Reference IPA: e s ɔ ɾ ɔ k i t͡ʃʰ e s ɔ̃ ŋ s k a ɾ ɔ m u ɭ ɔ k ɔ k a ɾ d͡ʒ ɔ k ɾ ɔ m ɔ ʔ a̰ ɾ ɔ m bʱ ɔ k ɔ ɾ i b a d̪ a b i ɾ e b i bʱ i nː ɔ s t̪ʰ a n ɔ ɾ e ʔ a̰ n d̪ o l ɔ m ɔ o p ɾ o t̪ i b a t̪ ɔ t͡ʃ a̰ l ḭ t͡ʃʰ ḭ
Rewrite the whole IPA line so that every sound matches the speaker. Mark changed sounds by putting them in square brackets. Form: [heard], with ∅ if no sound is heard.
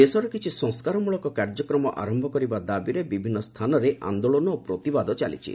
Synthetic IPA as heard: e s ɔ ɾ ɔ k i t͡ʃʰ [i] s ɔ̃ ŋ s k a ɾ ɔ m u ɭ ɔ k ɔ k a ɾ d͡ʒ ɔ k ɾ ɔ m ɔ ʔ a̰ ɾ ɔ m bʱ ɔ k ɔ ɾ i b a d̪ a b i ɾ e b i bʱ i nː ɔ s t̪ʰ a n ɔ ɾ e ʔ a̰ n d̪ o [ɭ] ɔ [n] ɔ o p ɾ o t̪ i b a [d̪] ɔ t͡ʃ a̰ l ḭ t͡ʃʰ ḭ